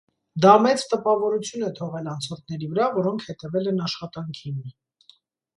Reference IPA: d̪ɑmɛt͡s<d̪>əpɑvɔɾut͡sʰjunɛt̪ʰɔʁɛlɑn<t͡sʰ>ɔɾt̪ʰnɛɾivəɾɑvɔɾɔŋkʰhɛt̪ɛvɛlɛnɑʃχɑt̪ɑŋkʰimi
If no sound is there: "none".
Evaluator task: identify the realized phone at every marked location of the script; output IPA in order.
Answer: t̪, t͡sʰ

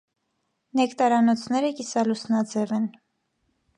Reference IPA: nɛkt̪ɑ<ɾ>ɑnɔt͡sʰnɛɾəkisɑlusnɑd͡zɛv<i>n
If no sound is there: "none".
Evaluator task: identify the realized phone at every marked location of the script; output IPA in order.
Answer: ɾ, ɛ

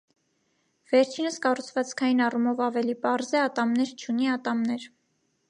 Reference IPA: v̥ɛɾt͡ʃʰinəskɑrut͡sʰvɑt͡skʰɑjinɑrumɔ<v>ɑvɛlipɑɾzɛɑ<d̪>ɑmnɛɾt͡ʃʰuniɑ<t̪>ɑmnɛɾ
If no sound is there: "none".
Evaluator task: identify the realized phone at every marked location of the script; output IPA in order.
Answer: v, t̪, t̪

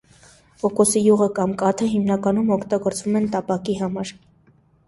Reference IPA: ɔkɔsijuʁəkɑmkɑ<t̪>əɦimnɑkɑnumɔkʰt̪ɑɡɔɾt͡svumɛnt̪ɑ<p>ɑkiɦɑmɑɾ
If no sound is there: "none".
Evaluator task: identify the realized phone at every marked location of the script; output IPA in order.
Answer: t̪ʰ, p

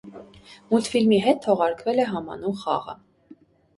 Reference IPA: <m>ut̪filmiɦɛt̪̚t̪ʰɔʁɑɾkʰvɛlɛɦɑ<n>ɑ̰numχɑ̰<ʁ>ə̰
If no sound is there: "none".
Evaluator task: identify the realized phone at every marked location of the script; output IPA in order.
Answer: m, m, ʁ

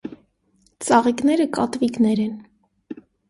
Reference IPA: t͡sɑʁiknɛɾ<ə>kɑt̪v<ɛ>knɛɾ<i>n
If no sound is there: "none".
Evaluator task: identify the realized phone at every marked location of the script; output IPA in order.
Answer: ə, i, ɛ

